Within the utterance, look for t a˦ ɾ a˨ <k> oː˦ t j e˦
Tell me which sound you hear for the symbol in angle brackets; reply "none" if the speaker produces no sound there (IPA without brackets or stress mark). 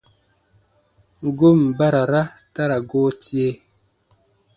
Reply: ɡ